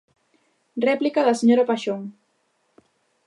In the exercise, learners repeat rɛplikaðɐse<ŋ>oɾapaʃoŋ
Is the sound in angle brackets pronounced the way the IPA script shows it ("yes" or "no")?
no